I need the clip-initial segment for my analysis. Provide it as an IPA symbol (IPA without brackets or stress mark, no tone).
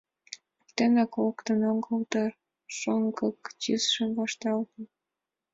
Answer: t̪